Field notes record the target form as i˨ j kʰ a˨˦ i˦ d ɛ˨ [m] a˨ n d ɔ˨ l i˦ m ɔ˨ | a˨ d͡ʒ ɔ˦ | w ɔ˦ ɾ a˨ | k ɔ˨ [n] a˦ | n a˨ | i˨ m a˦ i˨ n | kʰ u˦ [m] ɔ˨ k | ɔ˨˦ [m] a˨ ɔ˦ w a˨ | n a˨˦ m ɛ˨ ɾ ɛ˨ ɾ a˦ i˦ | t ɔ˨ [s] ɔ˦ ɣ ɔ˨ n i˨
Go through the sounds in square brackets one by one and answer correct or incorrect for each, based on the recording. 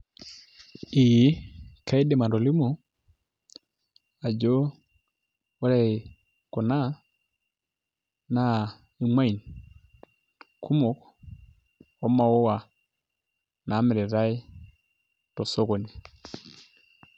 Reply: correct, correct, correct, correct, correct

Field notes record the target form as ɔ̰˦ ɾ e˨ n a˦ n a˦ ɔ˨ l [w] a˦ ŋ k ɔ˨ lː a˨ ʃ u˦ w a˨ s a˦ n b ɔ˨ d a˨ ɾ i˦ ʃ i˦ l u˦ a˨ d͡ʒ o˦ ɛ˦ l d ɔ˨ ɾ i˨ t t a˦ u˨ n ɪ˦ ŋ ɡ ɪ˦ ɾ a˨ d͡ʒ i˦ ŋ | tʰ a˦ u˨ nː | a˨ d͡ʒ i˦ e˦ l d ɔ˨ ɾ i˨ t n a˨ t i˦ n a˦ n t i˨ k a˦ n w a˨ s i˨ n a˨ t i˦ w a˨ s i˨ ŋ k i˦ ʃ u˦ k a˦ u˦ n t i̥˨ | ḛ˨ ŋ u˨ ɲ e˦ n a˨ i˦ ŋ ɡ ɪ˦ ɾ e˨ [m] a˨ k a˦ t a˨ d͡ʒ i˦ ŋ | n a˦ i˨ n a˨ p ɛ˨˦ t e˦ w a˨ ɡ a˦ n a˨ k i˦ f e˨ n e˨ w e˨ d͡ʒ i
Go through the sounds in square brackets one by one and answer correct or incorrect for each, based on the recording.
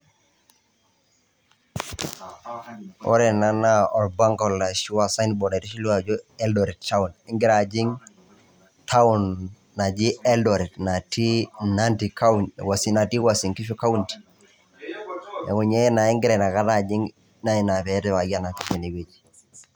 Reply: incorrect: b, incorrect: n

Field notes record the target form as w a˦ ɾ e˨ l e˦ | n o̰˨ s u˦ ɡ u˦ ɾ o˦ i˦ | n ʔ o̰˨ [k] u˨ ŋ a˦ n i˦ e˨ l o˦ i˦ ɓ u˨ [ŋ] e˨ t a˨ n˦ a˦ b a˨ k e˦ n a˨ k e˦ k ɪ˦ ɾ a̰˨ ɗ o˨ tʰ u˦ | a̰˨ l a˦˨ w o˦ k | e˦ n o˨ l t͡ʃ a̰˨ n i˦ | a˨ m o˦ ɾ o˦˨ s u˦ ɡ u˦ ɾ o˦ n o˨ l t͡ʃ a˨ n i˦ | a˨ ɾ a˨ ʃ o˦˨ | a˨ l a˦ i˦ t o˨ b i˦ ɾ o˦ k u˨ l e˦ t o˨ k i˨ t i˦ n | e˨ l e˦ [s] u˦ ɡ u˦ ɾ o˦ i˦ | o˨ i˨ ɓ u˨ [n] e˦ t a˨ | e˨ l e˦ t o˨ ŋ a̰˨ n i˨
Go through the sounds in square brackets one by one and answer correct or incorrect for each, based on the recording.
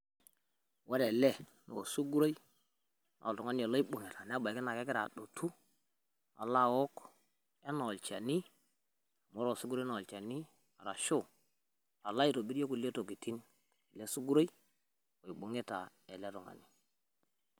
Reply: incorrect: t, correct, correct, incorrect: ŋ

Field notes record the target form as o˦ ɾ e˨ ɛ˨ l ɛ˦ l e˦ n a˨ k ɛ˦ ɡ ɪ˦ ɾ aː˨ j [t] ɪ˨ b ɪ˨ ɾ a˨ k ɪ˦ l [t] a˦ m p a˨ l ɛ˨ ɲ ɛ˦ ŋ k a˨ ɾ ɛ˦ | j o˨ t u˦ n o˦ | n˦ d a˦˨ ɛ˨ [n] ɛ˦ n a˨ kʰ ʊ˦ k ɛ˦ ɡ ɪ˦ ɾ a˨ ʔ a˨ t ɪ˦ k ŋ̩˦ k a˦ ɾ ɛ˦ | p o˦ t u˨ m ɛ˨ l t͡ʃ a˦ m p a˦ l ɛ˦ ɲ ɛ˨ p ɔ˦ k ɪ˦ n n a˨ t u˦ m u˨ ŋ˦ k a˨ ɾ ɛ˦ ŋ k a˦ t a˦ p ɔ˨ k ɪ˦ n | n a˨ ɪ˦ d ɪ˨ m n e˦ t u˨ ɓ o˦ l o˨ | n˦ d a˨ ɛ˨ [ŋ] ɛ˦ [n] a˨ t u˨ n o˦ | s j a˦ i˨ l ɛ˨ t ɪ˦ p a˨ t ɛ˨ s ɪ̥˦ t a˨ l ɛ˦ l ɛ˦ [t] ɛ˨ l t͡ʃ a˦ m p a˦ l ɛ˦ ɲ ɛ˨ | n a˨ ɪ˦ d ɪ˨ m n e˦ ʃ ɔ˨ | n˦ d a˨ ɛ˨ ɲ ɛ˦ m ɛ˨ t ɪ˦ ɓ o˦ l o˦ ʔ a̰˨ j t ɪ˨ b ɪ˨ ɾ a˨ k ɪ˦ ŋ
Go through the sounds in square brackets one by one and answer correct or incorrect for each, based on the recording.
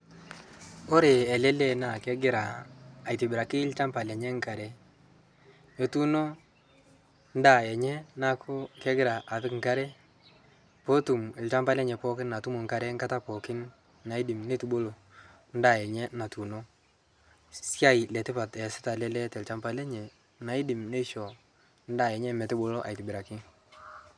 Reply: correct, incorrect: t͡ʃ, incorrect: ɲ, incorrect: ɲ, correct, correct

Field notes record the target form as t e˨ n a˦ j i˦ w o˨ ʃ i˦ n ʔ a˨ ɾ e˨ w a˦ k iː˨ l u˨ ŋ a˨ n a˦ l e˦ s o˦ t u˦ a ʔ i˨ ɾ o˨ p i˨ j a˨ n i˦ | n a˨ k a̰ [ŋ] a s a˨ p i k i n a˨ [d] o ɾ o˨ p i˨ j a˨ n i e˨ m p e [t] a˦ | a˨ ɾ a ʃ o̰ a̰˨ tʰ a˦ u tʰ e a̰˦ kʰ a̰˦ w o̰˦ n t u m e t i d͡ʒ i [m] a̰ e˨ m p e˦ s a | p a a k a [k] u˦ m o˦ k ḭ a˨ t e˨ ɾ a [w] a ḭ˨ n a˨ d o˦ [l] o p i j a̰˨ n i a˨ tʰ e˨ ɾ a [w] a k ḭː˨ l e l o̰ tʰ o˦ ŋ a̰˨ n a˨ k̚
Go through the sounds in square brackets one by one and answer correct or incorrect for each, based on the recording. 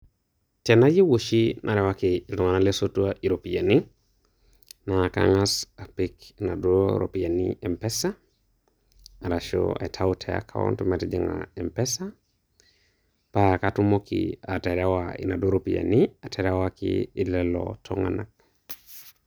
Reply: correct, correct, incorrect: s, incorrect: ŋ, incorrect: t, correct, incorrect: ɾ, correct

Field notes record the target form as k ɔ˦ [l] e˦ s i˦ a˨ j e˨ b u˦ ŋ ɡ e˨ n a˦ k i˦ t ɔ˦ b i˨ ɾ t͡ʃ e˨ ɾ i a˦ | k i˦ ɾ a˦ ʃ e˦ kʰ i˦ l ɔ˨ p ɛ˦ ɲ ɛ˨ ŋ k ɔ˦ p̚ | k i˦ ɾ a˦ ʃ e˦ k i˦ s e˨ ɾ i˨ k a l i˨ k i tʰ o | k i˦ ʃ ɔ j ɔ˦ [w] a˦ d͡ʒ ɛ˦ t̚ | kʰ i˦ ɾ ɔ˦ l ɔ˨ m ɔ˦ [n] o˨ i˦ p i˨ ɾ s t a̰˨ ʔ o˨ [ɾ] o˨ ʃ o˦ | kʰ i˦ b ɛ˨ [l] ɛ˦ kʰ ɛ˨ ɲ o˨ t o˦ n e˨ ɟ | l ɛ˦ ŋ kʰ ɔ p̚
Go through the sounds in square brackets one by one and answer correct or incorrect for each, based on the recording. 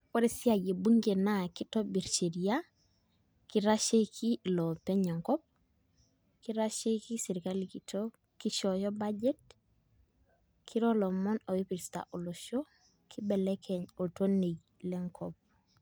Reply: incorrect: ɾ, incorrect: b, correct, incorrect: l, correct

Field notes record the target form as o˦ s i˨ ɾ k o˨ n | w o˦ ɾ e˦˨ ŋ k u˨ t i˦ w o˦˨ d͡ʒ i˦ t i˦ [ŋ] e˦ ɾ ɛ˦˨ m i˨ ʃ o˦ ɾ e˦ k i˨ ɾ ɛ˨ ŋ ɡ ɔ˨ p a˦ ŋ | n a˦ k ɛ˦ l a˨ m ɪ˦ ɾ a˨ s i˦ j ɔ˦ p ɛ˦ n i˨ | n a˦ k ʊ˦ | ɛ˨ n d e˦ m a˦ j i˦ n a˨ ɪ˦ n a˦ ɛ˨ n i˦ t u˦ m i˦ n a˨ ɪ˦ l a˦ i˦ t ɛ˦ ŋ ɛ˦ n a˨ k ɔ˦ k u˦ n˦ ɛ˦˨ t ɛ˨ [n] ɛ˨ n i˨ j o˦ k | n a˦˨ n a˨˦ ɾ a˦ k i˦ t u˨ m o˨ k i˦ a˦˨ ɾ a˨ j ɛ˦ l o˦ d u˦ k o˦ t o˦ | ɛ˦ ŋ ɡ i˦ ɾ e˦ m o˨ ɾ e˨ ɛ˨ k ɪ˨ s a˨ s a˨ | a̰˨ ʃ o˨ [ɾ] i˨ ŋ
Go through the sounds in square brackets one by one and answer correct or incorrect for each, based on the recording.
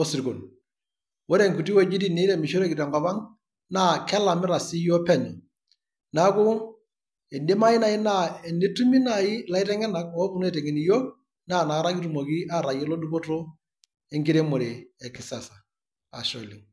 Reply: incorrect: n, incorrect: ŋ, incorrect: l

